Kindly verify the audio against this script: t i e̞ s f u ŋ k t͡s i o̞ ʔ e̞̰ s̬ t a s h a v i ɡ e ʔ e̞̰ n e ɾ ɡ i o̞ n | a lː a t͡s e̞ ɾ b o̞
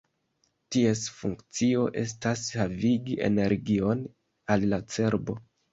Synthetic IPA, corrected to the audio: t i e̞ s f u ŋ k t͡s i o̞ ʔ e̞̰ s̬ t a s h a v i ɡ i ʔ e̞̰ n e ɾ ɡ i o̞ n | a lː a t͡s e̞ ɾ b o̞